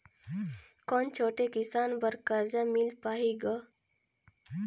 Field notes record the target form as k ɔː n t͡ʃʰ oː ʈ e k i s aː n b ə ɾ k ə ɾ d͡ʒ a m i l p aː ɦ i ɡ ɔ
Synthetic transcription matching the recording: k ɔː n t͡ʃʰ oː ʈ e k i s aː n b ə ɾ k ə ɾ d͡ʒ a m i l p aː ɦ i ɡ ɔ